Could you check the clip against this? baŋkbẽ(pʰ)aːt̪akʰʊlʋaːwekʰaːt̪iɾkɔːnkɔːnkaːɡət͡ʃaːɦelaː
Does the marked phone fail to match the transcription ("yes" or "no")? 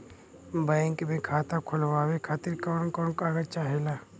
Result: yes